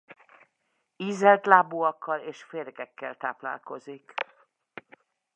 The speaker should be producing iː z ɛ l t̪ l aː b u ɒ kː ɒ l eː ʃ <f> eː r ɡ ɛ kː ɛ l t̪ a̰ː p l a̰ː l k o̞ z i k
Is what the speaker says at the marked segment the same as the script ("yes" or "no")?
yes